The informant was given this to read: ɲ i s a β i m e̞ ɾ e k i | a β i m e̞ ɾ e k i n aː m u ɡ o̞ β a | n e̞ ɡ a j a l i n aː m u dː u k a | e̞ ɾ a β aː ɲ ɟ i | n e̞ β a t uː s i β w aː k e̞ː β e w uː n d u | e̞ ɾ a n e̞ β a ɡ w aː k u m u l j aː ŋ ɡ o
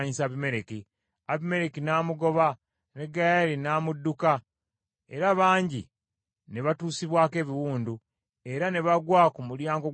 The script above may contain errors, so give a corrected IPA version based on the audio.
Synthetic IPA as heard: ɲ i s a β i m e̞ ɾ e k i | a β i m e̞ ɾ e k i n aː m u ɡ o̞ β a | n e̞ ɡ a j a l i n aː m u dː u k a | e̞ ɾ a β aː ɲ ɟ i | n e̞ β a t uː s i β w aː k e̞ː β i w uː n d u | e̞ ɾ a n e̞ β a ɡ w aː k u m u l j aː ŋ ɡ o